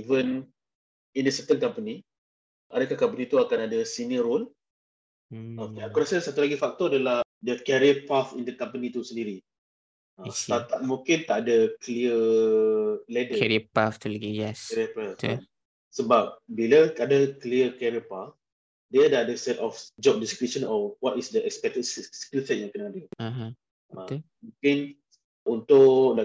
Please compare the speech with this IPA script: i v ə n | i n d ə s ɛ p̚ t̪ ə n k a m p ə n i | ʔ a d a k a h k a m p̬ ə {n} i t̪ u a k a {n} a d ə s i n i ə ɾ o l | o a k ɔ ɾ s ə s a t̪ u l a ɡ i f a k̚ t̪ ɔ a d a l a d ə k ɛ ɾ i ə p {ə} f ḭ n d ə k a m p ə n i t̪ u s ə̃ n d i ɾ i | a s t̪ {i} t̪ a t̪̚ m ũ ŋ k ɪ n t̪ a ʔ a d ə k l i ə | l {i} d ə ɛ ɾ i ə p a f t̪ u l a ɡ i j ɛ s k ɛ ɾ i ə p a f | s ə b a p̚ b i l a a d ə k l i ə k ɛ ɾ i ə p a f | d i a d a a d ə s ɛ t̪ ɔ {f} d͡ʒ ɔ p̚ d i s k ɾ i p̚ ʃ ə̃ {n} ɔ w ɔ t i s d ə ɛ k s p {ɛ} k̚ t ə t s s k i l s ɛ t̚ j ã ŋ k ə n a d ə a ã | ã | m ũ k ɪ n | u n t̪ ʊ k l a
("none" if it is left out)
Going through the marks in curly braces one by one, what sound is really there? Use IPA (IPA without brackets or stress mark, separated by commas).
n, n, a, a, ɛ, f, n, ɛ